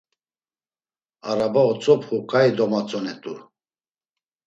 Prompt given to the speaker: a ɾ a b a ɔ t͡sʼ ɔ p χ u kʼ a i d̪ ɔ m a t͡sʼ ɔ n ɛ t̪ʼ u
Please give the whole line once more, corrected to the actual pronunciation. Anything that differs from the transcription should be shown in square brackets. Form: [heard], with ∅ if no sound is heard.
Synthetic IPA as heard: a ɾ a b a ɔ t͡sʼ ɔ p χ u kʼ a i d̪ ɔ m a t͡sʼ ɔ n ɛ t̪ʼ u